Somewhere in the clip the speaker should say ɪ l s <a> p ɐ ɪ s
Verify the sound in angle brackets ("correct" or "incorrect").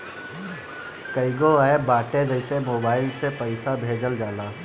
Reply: incorrect